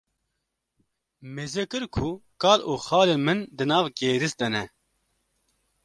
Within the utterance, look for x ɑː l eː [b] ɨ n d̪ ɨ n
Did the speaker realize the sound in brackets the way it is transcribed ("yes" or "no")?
no